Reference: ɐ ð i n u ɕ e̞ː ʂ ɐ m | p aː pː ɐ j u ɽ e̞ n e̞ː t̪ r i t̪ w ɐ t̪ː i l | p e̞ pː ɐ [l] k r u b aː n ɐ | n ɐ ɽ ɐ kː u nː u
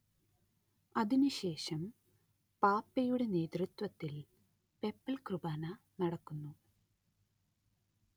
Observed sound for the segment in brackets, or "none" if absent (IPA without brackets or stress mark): l